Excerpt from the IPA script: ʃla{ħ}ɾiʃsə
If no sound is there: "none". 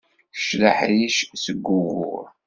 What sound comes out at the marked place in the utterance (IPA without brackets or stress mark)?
ħ